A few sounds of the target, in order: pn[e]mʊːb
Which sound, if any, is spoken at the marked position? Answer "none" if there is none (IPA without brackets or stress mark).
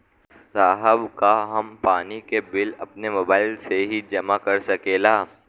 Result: e